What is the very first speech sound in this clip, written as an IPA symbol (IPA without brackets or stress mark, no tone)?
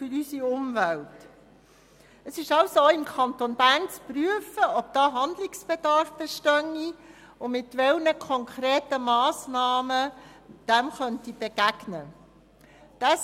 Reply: f